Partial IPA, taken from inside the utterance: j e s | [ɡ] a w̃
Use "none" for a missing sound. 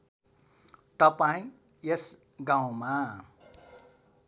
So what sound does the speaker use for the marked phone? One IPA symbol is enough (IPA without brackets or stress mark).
ɡ